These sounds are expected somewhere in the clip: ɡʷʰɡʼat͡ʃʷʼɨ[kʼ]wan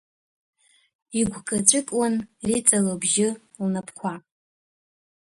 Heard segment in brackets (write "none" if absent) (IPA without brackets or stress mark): kʼ